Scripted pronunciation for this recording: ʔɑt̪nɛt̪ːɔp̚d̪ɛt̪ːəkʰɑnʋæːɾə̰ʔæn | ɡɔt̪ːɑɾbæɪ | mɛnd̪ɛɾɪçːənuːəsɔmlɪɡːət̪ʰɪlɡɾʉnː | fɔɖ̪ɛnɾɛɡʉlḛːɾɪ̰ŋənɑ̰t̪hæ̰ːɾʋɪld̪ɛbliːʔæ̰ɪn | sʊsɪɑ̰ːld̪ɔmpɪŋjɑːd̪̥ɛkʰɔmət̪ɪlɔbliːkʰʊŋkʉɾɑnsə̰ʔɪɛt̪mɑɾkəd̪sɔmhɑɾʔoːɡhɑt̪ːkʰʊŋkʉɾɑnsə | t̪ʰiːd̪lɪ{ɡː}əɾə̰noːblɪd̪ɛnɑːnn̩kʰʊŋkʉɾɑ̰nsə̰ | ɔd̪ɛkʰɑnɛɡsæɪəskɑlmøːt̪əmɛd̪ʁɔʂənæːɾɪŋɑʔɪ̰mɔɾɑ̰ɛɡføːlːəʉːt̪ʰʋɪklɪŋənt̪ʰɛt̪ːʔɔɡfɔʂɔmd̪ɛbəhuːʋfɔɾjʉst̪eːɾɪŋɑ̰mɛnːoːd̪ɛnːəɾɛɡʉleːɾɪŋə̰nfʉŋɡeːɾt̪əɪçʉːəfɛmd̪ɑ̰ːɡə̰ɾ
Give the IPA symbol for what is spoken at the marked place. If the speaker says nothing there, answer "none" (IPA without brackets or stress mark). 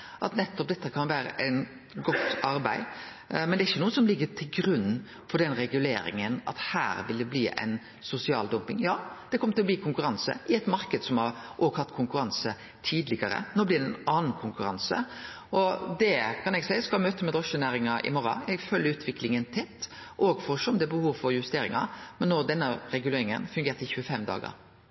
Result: ɡ